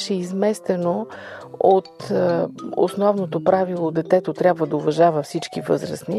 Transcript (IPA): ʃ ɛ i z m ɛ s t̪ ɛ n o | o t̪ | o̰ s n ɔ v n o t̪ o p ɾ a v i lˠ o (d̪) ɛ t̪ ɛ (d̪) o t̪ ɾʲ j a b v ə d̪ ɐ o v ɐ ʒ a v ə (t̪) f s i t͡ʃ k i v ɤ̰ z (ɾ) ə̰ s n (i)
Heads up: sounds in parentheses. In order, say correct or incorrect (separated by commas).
correct, incorrect, incorrect, correct, correct